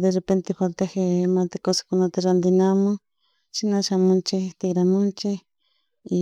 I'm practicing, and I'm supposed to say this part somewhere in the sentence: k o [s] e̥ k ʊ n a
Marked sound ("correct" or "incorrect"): correct